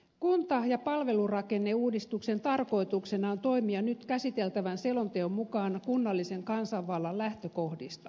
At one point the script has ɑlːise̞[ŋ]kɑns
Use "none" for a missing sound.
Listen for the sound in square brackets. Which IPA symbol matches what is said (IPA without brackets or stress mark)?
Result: ŋ